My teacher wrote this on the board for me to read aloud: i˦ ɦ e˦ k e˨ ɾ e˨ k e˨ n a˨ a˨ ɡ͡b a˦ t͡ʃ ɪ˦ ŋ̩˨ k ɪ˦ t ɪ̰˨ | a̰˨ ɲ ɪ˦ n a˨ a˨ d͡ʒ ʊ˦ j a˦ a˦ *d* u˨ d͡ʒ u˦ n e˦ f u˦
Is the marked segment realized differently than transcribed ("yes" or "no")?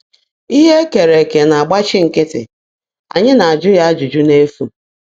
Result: yes